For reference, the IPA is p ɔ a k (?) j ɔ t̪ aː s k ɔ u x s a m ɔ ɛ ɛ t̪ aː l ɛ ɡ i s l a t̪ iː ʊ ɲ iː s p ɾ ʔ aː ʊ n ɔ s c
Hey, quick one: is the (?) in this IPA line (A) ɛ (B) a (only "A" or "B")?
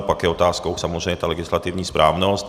A